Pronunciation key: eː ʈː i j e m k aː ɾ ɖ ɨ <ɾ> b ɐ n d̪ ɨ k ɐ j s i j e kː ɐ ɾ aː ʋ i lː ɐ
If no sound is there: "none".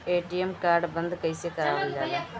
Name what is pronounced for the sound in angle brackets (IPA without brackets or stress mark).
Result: none